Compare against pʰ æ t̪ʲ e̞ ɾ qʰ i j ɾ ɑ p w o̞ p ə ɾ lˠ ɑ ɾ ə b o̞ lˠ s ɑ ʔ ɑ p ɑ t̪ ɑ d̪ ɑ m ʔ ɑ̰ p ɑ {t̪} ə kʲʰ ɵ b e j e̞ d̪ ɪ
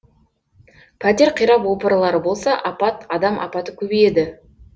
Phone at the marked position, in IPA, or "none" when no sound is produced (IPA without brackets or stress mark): t̪